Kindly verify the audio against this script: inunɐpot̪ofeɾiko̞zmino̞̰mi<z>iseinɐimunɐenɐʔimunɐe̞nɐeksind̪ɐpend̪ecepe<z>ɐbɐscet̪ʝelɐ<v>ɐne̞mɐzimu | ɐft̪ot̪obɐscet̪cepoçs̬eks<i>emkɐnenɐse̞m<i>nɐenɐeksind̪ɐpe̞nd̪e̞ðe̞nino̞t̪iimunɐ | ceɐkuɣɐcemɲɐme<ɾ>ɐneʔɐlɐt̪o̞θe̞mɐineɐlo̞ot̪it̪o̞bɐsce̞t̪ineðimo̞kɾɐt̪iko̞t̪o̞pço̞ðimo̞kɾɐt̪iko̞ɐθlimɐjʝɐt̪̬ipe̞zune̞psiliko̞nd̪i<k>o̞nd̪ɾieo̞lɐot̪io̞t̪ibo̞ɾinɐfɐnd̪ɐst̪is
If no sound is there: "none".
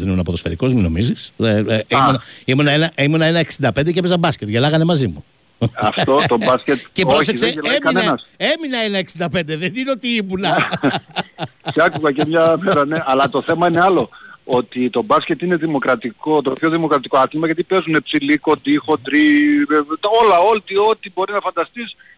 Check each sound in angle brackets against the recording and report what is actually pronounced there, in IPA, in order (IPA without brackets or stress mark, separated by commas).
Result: z, z, ɣ, e, i, ɾ, x